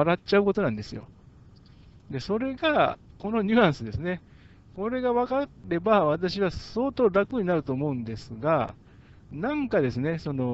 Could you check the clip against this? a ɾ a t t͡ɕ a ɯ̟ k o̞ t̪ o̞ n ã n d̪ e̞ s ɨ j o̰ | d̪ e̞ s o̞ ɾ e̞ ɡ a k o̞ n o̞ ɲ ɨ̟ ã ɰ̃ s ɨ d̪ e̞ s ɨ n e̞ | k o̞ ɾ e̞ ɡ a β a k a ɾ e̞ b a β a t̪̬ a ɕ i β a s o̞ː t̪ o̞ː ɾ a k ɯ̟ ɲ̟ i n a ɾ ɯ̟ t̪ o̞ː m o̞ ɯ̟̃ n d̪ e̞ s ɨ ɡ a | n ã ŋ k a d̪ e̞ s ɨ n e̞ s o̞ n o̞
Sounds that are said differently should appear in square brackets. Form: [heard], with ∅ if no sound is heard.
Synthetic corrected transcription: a ɾ a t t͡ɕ a ɯ̟ k o̞ t̪ o̞ n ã n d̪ e̞ s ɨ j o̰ | d̪ e̞ s o̞ ɾ e̞ ɡ a k o̞ n o̞ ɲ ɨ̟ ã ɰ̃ s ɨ d̪ e̞ s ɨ n e̞ | k o̞ ɾ e̞ ɡ a β a k a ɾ e̞ b a β a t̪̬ a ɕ i β a s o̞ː t̪ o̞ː ɾ a k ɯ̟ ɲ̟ i n a ɾ ɯ̟ t̪ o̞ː m o̞ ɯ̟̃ n d̪ e̞ s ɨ ɡ a | n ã ŋ k a d̪ e̞ s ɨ n e̞ s o̞ n o̞